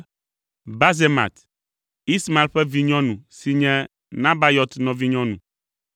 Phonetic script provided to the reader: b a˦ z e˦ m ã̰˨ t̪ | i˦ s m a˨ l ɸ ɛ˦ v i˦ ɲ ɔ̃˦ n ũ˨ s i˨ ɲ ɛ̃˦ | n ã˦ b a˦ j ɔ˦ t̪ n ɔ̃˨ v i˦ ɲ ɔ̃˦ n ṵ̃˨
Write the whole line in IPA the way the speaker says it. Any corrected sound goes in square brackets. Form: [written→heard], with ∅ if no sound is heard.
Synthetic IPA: b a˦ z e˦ m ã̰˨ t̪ | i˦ s m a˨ l ɸ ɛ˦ v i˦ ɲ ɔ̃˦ n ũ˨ s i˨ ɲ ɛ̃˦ | n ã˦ b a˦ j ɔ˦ t̪ n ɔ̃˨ v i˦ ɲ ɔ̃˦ n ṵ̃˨

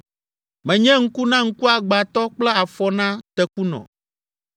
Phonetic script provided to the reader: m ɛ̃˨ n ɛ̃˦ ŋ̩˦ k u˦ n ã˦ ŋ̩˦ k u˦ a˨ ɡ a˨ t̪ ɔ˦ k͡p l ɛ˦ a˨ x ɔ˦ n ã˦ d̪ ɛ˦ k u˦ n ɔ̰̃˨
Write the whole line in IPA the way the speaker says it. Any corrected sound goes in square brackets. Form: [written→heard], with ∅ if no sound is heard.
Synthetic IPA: m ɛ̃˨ [n→ɲ] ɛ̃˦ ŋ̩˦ k u˦ n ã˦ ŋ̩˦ k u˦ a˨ [ɡ→ɡ͡b] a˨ t̪ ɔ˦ k͡p l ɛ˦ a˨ [x→f] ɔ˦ n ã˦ [d̪→t̪] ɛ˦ k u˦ n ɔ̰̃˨

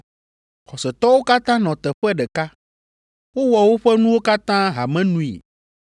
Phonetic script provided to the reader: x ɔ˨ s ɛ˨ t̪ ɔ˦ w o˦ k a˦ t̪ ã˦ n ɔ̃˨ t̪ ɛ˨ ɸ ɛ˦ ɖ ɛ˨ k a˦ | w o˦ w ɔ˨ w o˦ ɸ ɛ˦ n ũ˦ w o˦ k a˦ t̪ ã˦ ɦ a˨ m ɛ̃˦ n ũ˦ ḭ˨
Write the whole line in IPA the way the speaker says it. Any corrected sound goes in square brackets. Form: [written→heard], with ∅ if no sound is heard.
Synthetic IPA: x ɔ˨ s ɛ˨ t̪ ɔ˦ w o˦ k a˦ t̪ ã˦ n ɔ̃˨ t̪ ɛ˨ ɸ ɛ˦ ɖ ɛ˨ k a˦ | w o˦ w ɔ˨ w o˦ ɸ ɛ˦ n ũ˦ w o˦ k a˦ t̪ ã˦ ɦ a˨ m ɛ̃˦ n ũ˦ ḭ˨

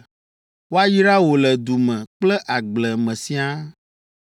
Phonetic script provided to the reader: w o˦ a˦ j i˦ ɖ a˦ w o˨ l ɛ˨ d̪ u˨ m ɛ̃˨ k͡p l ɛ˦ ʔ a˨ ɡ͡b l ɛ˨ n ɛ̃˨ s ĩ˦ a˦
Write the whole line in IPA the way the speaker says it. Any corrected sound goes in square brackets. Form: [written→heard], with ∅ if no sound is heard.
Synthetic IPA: w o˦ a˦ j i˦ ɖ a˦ w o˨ l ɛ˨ d̪ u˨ m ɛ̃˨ k͡p l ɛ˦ ʔ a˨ ɡ͡b l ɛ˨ [n→m] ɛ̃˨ s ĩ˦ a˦

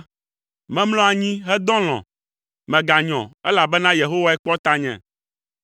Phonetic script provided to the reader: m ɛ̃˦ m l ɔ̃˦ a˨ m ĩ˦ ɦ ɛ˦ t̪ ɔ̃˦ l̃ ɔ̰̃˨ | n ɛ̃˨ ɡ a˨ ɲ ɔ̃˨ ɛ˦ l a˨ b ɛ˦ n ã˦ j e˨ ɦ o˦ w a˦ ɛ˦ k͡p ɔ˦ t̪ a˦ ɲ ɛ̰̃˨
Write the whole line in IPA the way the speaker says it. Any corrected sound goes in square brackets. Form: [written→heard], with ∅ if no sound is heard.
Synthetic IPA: m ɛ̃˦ m l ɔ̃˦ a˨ [m→ɲ] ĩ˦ ɦ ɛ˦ [t̪→d̪] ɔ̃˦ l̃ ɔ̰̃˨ | [n→m] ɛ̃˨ ɡ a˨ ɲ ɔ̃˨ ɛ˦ l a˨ b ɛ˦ n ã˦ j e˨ ɦ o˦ w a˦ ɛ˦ k͡p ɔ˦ t̪ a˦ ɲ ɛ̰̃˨

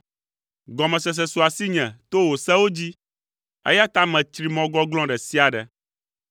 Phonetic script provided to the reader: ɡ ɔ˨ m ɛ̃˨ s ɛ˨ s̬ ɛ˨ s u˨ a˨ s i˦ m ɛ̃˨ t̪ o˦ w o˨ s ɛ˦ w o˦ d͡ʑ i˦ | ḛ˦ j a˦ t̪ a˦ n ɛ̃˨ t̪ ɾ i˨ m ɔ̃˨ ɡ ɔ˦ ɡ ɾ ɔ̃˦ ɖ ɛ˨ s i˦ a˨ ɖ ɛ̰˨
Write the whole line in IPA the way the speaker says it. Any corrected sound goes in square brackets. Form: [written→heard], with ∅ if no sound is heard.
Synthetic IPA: ɡ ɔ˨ m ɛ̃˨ s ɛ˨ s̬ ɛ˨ s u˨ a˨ s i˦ [m→ɲ] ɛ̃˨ t̪ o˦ w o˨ s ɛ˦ w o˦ d͡ʑ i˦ | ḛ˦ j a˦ t̪ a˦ [n→m] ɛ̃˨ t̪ ɾ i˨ m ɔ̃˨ ɡ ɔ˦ ɡ [ɾ→l] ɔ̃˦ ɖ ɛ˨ s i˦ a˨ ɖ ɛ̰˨

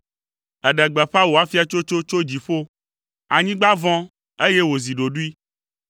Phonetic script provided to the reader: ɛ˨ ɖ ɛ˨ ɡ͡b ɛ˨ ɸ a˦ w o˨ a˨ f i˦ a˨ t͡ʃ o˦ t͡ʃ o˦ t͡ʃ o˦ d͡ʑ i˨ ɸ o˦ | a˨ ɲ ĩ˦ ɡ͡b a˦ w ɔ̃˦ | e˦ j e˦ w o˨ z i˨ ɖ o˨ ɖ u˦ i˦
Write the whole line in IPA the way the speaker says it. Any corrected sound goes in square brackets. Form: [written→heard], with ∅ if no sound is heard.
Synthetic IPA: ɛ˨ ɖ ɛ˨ ɡ͡b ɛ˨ ɸ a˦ w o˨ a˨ f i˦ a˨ t͡ʃ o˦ t͡ʃ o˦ t͡ʃ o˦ d͡ʑ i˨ ɸ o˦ | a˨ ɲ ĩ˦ ɡ͡b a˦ [w→v] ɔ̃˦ | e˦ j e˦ w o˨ z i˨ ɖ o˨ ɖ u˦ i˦

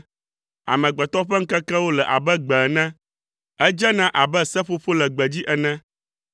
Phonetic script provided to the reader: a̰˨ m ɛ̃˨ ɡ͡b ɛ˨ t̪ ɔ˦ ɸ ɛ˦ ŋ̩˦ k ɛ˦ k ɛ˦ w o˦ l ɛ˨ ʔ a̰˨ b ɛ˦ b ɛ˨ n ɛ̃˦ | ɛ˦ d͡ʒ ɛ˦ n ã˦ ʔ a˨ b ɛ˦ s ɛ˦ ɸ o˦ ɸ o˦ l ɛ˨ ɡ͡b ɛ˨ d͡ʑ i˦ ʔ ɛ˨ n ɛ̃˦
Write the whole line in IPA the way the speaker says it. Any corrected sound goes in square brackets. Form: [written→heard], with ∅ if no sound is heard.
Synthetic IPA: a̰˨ m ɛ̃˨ ɡ͡b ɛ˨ t̪ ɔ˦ ɸ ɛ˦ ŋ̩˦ k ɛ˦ k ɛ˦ w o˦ l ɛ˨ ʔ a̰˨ b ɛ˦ [b→ɡ͡b] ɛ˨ n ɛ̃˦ | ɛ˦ d͡ʒ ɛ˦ n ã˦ ʔ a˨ b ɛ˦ s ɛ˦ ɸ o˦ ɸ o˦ l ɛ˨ ɡ͡b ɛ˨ d͡ʑ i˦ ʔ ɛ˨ n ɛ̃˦

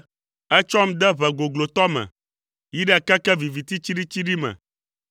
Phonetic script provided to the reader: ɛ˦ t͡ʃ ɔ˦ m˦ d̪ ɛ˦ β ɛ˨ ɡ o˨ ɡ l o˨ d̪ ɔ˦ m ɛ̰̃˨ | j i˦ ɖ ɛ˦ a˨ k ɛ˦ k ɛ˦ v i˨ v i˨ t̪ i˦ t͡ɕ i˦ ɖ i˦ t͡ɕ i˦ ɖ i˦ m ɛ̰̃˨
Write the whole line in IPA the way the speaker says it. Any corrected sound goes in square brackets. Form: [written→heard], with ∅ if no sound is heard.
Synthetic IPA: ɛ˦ t͡ʃ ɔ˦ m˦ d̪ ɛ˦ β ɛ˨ ɡ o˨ ɡ l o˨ [d̪→t̪] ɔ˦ m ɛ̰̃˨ | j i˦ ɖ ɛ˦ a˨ k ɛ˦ k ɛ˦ v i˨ v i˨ t̪ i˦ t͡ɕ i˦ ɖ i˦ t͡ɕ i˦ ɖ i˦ m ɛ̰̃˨

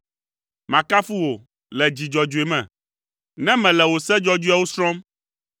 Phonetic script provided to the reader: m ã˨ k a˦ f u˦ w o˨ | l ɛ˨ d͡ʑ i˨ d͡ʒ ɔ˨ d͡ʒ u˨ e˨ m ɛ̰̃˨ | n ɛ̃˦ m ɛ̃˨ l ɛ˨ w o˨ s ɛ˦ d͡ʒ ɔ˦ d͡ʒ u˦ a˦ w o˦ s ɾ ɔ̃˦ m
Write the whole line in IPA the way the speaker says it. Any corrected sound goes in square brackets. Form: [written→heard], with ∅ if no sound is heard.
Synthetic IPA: m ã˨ k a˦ f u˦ w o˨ | l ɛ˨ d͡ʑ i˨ d͡ʒ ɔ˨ d͡ʒ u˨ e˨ m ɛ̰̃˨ | n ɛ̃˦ m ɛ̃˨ l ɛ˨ w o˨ s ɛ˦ d͡ʒ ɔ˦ d͡ʒ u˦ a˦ w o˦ s ɾ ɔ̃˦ m

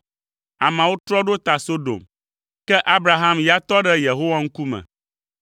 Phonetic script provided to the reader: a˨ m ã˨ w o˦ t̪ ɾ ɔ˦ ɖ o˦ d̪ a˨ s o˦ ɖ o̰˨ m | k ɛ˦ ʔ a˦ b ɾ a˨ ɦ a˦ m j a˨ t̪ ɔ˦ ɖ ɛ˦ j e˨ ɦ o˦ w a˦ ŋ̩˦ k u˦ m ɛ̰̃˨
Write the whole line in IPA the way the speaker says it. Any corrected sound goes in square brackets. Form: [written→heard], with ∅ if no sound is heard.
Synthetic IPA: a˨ m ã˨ w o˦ t̪ ɾ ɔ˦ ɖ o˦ [d̪→t̪] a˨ s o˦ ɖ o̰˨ m | k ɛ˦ ʔ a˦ b ɾ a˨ ɦ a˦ m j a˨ t̪ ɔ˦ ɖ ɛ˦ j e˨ ɦ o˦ w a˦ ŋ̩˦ k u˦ m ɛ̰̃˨

